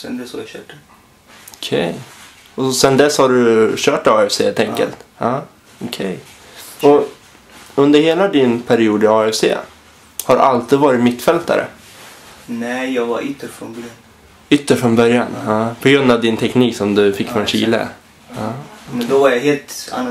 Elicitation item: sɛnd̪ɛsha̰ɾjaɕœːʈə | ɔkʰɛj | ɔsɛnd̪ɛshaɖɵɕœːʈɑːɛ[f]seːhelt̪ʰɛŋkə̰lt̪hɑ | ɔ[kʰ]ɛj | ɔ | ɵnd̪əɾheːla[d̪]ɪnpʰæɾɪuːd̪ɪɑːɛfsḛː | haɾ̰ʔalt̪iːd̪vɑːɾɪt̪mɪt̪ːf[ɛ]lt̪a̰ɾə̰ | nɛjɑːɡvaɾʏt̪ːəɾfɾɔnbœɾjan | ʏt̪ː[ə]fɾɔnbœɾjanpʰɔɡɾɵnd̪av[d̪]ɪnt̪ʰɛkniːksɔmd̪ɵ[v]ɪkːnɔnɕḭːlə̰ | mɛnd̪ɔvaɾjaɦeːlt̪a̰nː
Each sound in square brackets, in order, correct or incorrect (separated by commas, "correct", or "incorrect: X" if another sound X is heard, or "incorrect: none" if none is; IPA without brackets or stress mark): correct, correct, correct, correct, correct, correct, incorrect: f